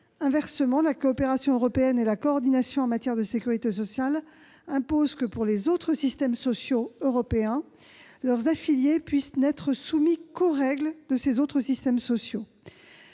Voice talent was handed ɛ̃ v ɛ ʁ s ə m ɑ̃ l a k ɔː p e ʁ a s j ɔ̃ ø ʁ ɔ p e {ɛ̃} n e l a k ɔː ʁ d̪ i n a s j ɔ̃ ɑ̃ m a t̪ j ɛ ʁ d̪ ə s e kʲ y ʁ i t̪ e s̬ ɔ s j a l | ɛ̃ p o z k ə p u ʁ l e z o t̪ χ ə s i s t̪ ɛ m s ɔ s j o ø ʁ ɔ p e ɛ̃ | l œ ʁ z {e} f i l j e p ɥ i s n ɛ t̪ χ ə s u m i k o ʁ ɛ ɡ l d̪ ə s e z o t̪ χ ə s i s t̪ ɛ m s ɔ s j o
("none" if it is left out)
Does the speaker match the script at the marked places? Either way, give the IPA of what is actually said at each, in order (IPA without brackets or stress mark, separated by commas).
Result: ɛ, a